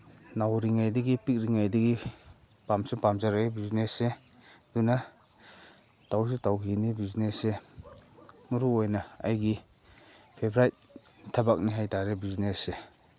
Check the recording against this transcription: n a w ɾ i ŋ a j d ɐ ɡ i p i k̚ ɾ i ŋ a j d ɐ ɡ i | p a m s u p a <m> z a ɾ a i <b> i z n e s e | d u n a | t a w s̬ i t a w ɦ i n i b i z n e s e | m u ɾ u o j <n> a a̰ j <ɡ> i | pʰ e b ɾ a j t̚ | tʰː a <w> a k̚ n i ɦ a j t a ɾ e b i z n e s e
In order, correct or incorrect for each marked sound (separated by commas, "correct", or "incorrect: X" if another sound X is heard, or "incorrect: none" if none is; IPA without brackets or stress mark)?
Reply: correct, correct, correct, correct, incorrect: b